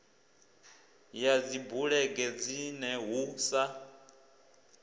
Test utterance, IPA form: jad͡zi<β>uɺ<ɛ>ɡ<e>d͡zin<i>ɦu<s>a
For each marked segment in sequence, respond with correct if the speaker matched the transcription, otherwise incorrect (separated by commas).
incorrect, correct, incorrect, incorrect, correct